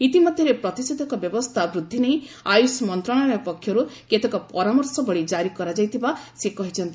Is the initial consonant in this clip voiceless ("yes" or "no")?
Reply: yes